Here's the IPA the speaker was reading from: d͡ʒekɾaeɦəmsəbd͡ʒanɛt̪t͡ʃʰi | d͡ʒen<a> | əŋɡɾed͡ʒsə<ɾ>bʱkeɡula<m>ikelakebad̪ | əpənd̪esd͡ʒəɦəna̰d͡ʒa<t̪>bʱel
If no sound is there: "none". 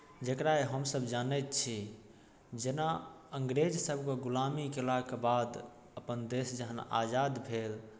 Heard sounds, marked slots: a, none, m, d̪

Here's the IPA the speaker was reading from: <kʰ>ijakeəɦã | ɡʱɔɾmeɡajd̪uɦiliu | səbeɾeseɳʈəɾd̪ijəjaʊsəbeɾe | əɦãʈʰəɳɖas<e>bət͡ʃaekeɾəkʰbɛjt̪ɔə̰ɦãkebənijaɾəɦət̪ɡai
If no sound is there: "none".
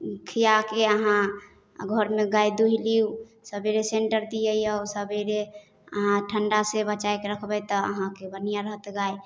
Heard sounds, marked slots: kʰ, e

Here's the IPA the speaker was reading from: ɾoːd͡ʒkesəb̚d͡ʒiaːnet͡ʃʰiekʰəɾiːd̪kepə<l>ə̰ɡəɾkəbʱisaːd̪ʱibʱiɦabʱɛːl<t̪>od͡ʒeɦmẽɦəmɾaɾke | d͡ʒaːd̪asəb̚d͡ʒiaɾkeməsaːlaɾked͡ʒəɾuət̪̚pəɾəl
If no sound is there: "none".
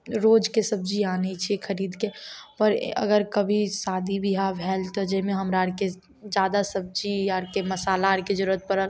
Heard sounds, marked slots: ɾ, t̪

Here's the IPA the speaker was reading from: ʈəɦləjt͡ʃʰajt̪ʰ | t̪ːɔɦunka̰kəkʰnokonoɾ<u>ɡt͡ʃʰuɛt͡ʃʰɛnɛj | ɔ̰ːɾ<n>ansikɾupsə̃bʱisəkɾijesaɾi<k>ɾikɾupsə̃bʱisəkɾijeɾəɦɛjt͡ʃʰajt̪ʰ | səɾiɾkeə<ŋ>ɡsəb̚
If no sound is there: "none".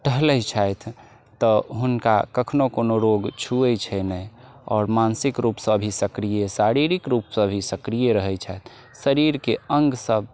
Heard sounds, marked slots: o, m, none, ŋ

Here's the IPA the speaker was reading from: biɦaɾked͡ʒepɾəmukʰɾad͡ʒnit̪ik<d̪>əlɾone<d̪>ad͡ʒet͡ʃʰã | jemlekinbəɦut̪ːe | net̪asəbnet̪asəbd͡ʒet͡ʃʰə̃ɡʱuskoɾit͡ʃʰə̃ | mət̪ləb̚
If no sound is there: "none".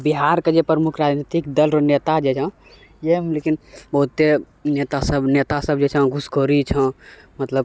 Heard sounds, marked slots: d̪, t̪

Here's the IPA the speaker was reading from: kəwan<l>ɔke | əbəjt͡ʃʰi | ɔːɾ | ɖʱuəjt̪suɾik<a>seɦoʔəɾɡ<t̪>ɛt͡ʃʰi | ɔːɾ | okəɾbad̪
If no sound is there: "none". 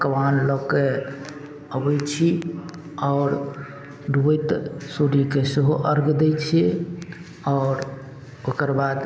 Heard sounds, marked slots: l, e, d̪

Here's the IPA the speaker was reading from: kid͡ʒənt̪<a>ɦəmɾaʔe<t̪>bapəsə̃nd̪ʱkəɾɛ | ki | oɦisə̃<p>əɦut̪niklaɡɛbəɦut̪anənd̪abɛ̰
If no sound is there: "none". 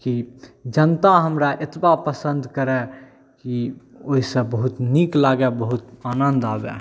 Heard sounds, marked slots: a, t̪, b

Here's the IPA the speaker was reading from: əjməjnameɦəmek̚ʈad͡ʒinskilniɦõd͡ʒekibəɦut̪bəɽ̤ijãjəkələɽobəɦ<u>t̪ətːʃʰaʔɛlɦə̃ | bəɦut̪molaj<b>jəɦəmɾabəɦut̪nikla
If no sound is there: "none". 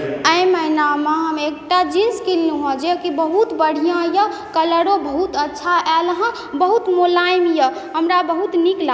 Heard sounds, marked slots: u, m

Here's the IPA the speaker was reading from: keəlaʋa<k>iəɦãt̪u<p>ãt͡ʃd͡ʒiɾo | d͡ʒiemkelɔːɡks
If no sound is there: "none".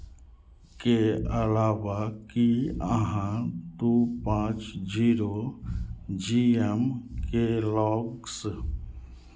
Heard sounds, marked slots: k, p

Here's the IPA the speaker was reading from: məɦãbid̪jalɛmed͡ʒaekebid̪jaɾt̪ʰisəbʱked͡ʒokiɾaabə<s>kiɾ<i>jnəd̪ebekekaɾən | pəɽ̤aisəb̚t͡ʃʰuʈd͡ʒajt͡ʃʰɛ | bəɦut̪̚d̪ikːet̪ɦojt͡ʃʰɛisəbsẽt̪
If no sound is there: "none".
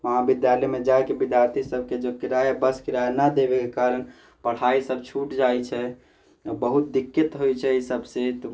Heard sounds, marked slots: s, a

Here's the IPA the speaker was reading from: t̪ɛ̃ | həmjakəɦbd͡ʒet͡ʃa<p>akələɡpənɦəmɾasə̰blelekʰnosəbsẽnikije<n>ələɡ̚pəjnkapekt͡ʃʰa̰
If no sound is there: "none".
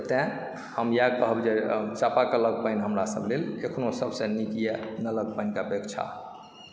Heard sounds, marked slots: p, n

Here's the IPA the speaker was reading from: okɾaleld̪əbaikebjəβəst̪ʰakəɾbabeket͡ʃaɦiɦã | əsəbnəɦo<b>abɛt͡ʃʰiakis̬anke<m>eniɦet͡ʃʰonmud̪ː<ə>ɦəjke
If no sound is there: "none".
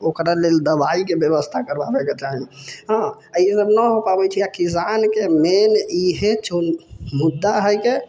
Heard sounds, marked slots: p, m, a

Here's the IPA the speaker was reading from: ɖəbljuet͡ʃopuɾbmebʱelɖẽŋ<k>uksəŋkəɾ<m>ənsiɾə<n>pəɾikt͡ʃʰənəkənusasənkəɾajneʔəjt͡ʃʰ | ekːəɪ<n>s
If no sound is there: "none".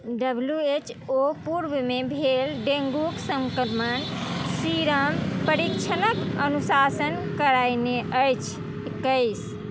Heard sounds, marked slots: ɡ, m, m, none

